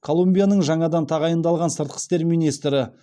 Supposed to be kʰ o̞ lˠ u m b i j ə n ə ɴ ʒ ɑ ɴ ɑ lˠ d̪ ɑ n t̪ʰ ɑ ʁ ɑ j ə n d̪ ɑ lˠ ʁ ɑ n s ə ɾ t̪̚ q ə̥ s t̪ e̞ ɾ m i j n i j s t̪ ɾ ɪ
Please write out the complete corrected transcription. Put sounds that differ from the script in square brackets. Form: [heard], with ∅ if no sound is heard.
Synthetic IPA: kʰ o̞ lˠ u m b i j [a] n ə ɴ ʒ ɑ ɴ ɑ [∅] d̪ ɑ n t̪ʰ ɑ ʁ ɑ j ə n d̪ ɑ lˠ ʁ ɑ n s ə ɾ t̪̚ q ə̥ s t̪ e̞ ɾ m i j n i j s t̪ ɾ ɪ